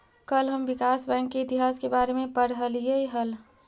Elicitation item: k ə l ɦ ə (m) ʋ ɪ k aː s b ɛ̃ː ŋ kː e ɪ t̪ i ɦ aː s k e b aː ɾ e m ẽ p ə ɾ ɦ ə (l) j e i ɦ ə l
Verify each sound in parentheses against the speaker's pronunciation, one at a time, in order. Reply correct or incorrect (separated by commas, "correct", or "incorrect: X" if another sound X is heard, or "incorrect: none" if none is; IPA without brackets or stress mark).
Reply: correct, correct